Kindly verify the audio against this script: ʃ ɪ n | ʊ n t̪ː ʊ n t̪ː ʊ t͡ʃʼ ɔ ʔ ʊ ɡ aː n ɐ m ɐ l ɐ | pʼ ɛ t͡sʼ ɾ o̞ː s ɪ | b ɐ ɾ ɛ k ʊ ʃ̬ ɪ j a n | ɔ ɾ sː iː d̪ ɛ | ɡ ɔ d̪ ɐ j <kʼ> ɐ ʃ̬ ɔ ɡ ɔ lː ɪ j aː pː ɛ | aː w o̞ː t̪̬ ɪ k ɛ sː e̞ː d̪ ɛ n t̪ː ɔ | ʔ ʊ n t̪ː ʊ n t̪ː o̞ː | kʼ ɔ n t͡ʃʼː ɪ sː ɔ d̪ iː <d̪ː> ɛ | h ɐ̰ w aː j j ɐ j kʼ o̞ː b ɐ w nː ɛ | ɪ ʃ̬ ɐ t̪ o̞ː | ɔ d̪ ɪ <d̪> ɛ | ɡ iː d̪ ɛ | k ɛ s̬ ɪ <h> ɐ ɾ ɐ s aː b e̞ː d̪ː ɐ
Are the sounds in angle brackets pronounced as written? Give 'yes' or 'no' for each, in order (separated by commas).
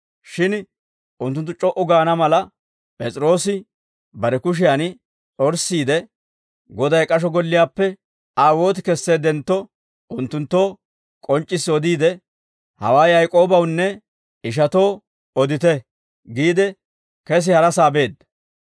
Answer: yes, no, no, yes